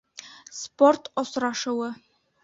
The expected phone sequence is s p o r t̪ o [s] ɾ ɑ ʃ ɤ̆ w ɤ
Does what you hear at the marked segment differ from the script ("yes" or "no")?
no